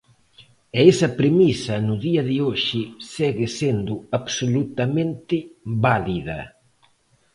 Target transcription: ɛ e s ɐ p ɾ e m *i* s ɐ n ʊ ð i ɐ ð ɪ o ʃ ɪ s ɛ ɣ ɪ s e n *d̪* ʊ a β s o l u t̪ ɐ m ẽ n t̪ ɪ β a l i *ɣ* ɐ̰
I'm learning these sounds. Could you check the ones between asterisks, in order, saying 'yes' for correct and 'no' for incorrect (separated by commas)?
yes, yes, no